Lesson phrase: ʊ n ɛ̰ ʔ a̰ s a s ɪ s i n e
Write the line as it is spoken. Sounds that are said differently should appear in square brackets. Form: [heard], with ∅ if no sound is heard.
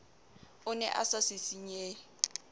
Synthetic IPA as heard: ʊ n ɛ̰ ʔ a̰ s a s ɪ s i [ɲ] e